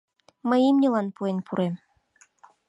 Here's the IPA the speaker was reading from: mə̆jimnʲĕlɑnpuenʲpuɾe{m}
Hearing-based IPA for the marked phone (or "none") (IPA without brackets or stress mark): m